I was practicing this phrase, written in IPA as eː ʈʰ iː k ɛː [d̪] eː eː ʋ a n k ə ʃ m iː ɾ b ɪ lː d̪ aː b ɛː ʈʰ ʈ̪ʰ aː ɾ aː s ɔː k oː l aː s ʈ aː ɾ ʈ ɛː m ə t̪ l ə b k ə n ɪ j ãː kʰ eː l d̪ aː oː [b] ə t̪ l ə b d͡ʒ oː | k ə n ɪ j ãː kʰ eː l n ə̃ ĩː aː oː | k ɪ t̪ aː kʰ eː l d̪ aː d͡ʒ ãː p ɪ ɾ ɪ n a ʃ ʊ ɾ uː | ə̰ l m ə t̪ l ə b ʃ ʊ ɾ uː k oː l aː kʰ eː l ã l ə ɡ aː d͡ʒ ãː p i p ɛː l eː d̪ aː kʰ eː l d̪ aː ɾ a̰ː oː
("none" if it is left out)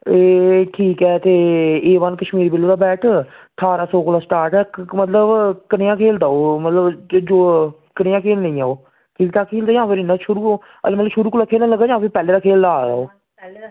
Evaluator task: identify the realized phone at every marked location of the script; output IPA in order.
t̪, m

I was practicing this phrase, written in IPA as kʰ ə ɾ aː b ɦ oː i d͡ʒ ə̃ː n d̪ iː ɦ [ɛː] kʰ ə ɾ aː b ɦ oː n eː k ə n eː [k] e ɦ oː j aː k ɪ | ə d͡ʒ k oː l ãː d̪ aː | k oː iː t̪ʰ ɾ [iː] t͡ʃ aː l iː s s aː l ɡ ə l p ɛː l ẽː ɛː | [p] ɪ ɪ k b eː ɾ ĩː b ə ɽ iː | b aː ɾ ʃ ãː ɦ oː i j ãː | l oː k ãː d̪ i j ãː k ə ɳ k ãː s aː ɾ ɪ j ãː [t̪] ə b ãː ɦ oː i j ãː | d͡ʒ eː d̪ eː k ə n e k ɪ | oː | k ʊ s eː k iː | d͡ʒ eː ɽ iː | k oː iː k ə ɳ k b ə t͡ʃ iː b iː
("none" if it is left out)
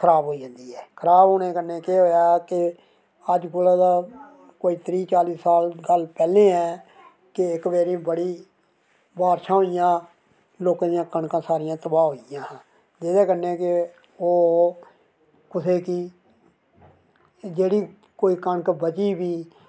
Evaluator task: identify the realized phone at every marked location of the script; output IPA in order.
ɛː, k, iː, k, t̪

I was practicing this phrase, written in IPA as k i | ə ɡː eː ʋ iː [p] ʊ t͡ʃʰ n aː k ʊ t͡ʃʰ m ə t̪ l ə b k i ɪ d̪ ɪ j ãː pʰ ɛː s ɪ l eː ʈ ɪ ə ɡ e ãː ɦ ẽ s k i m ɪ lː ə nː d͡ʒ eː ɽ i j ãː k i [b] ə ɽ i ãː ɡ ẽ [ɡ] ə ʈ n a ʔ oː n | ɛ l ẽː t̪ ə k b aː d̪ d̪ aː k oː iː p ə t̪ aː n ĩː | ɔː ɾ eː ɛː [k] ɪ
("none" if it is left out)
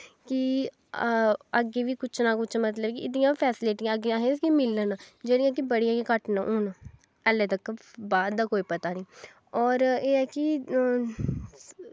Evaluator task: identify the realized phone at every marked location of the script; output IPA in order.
k, b, k, k

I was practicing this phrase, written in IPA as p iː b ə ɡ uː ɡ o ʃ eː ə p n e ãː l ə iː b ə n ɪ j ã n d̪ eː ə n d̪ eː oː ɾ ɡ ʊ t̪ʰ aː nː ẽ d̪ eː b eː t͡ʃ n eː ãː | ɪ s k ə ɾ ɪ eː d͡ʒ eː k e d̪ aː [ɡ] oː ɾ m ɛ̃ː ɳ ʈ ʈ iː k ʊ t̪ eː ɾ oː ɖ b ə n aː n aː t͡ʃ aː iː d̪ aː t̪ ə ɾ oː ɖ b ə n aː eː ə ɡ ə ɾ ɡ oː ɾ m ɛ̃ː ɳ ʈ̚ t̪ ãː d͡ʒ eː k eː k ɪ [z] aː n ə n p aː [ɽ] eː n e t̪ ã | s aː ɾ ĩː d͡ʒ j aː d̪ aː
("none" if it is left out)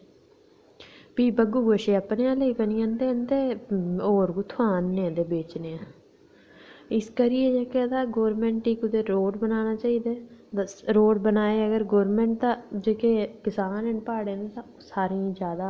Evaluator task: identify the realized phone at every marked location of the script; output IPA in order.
ɡ, s, ɽ

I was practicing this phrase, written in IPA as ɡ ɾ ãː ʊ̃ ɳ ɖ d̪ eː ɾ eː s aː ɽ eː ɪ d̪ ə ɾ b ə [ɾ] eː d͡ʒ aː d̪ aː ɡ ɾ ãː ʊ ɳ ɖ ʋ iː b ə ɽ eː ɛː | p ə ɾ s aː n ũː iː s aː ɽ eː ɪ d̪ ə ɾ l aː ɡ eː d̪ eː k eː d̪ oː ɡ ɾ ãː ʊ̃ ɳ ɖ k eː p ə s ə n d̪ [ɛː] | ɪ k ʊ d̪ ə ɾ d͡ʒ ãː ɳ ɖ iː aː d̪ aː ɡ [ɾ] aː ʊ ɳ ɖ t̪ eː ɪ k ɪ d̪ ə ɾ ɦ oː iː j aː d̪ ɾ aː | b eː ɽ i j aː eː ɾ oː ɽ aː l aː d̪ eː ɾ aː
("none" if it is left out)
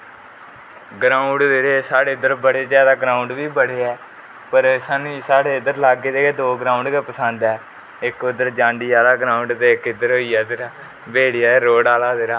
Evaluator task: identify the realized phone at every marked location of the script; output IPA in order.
ɽ, ɛː, ɾ

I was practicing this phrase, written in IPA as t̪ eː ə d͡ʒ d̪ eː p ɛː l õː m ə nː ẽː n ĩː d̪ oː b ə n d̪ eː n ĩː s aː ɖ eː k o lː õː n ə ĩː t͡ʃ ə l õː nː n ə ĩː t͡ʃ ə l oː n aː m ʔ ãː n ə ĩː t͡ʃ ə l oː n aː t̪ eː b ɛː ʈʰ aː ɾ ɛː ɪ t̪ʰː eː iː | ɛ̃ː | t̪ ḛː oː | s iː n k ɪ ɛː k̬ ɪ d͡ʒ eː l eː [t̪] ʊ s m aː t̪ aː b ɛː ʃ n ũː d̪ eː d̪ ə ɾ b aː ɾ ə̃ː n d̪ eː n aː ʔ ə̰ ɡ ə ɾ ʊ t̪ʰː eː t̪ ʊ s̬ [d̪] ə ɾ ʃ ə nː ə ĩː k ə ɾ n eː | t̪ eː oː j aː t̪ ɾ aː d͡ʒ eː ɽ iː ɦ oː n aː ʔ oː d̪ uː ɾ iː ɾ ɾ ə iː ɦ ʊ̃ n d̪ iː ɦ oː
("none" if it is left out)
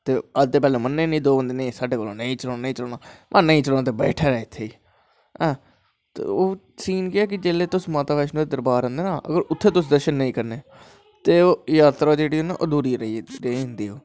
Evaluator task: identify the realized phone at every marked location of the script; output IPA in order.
t̪, d̪

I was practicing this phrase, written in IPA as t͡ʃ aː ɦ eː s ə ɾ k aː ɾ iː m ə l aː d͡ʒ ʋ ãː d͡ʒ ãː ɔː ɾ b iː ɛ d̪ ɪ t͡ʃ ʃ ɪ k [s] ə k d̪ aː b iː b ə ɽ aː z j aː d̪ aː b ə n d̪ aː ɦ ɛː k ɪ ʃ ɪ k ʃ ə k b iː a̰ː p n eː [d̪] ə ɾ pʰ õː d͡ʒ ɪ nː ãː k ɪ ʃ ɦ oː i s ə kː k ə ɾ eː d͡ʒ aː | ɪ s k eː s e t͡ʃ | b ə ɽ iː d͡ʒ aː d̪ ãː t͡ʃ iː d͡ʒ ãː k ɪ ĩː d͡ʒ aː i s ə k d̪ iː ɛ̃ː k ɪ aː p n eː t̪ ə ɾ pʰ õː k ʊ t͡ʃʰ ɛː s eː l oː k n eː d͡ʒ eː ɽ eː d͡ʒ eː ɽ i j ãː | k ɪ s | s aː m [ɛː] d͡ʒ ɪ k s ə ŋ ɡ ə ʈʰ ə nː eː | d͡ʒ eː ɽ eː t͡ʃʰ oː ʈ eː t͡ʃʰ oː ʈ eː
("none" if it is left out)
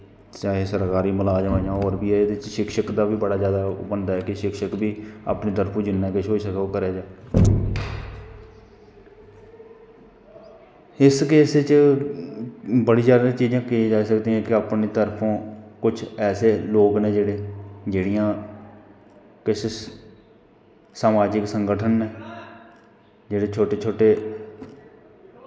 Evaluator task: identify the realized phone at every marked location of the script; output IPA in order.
ʃ, t̪, aː

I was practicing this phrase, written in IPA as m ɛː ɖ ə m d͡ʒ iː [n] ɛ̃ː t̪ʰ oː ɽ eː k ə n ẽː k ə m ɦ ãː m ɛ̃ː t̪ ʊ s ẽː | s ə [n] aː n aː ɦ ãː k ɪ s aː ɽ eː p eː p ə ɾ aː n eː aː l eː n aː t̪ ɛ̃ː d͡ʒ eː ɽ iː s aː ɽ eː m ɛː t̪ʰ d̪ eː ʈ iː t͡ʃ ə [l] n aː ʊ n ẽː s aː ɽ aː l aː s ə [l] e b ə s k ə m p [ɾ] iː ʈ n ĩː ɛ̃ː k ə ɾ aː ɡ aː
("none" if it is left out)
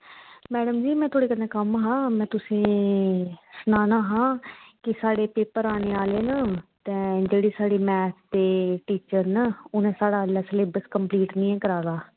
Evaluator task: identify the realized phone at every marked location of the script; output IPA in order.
m, n, ɾ, l, l

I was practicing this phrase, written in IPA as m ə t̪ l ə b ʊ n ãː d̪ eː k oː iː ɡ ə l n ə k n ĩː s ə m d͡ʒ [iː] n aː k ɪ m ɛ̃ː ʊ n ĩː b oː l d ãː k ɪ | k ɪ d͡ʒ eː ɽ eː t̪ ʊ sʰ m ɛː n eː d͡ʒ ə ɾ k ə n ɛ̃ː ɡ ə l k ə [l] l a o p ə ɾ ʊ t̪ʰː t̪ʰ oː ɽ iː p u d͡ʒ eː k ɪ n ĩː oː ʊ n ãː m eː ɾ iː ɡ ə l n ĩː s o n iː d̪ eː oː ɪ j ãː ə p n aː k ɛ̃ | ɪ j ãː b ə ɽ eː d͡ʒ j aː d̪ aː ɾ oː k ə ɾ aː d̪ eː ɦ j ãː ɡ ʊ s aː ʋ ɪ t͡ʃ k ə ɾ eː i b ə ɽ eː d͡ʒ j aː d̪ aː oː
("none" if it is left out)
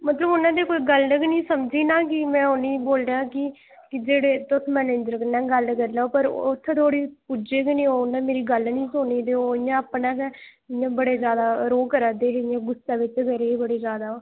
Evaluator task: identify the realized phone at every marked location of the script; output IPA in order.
iː, ɾ

